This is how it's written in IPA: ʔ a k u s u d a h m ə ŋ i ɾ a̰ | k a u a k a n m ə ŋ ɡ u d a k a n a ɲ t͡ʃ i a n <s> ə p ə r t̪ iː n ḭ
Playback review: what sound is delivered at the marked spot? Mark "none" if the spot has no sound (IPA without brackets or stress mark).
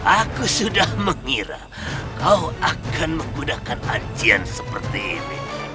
s